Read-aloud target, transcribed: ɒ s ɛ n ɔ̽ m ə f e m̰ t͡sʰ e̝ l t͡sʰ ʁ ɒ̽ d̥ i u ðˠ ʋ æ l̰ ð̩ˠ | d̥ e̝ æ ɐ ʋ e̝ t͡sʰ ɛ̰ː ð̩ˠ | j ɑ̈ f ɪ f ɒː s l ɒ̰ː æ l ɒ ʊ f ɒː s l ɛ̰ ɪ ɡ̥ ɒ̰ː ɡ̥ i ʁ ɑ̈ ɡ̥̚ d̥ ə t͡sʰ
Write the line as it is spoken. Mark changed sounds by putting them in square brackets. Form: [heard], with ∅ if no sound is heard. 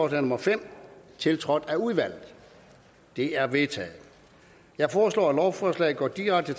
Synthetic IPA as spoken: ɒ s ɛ n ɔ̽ m [ɐ] f e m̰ t͡sʰ e̝ l t͡sʰ ʁ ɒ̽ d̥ [æ] u ðˠ ʋ æ l̰ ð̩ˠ | d̥ e̝ æ ɐ ʋ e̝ t͡sʰ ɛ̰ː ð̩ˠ | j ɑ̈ [∅] ɪ f ɒː s l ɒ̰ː æ l ɒ ʊ f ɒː s l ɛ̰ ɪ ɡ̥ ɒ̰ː [d̥] i ʁ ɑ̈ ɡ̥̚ d̥ ə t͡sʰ